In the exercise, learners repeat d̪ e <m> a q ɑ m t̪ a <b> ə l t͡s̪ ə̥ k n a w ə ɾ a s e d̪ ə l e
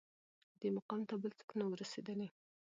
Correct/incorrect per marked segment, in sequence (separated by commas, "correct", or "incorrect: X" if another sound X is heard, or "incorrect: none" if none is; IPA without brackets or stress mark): correct, correct